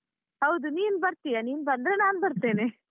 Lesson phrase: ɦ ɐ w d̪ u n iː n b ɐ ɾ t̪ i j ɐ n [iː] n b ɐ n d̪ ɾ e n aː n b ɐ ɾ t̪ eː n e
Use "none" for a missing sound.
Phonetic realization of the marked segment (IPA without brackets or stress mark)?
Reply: iː